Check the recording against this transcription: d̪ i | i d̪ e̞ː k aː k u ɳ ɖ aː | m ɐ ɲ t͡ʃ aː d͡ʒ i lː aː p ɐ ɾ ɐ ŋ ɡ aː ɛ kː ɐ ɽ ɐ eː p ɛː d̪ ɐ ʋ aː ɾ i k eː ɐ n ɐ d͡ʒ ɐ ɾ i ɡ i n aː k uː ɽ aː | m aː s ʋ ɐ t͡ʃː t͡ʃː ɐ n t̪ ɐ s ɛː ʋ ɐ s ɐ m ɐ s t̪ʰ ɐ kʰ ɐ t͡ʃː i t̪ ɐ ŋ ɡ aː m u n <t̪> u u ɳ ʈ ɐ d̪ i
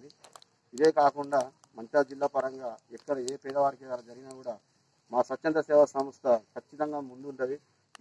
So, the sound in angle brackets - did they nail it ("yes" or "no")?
no